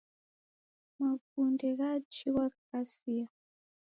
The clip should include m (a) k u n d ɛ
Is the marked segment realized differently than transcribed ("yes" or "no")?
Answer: no